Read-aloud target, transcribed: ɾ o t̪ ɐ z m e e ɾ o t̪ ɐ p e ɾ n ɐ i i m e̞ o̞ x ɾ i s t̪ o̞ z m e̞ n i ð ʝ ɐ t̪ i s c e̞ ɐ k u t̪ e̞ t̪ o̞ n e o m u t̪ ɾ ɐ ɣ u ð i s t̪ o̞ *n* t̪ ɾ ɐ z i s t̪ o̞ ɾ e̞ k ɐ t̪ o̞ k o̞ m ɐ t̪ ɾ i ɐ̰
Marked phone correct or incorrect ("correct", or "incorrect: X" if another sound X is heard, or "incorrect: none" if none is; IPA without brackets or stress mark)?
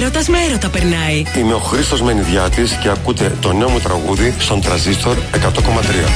correct